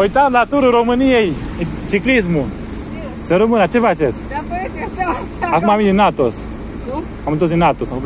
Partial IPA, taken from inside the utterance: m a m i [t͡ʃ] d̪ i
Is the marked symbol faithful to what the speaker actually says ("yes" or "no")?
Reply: no